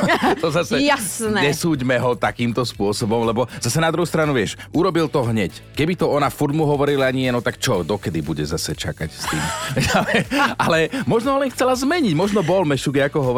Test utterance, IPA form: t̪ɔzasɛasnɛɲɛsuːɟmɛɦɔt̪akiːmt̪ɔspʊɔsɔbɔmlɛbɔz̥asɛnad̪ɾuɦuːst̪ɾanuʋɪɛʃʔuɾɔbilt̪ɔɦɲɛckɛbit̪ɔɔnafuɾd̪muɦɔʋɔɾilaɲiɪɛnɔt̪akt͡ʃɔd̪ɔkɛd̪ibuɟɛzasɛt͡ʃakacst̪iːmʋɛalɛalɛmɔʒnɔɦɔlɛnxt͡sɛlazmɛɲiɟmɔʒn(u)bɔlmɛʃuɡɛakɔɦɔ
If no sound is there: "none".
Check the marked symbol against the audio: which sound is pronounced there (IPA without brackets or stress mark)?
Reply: ɔ